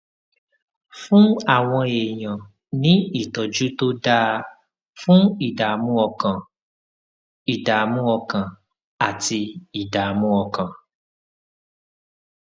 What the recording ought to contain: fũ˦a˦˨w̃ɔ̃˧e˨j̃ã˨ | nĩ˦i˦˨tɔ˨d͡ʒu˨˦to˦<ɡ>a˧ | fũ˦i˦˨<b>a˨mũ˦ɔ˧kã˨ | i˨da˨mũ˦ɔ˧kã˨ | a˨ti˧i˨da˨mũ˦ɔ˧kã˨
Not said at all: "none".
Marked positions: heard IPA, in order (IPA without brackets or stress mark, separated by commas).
d, d